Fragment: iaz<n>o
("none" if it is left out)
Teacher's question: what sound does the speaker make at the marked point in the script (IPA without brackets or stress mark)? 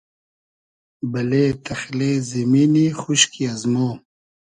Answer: m